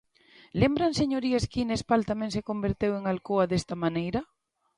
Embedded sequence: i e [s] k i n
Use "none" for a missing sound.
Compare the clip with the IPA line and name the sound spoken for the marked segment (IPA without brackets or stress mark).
s